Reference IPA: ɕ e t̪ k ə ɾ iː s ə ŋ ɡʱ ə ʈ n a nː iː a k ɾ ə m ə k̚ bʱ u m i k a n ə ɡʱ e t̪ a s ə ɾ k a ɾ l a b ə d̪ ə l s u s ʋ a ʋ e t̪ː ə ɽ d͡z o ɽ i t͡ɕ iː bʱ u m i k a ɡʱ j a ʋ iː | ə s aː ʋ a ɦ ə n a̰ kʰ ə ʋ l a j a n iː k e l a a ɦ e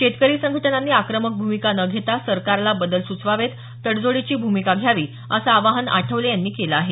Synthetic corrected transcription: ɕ e t̪ k ə ɾ iː s ə ŋ ɡʱ ə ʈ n a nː iː a k ɾ ə m ə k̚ bʱ u m i k a n ə ɡʱ e t̪ a s ə ɾ k a ɾ l a b ə d̪ ə l s u t͡s ʋ a ʋ e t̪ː ə ɽ d͡z o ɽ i t͡ɕ iː bʱ u m i k a ɡʱ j a ʋ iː | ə s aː ʋ a ɦ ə n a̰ ʈʰ ə ʋ l e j a nː iː k e l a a ɦ e